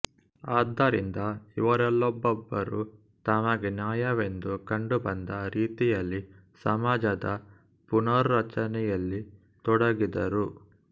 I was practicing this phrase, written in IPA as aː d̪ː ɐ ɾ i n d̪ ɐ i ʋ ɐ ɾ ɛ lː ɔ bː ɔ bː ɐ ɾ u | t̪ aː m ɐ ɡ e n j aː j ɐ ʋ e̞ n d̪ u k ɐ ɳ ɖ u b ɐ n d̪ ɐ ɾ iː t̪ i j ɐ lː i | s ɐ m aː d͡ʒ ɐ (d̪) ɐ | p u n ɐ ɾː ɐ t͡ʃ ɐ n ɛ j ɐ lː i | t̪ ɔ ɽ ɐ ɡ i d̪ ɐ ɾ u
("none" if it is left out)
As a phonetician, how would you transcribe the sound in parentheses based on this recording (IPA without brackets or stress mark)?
d̪